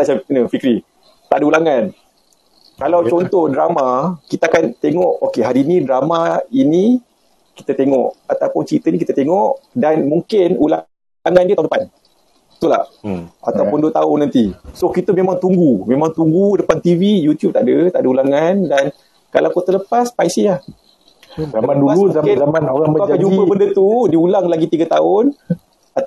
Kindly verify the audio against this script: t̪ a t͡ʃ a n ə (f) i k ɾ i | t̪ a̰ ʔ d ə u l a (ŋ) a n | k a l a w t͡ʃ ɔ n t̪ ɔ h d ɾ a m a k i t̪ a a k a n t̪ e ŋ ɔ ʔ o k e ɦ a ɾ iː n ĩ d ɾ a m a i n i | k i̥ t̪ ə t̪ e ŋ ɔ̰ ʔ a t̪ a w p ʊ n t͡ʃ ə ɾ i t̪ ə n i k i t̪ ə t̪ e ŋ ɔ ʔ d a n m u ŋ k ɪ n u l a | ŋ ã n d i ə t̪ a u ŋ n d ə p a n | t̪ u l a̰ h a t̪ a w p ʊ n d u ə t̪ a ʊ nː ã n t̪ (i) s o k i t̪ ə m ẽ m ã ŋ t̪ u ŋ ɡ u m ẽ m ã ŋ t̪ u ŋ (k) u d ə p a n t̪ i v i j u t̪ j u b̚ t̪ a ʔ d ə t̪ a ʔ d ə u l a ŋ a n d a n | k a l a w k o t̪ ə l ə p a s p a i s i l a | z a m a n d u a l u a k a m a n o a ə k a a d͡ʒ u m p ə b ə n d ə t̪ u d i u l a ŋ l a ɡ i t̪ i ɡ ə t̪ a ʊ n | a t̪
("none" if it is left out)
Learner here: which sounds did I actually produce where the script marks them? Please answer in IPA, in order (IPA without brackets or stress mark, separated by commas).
f, ŋ, i, ɡ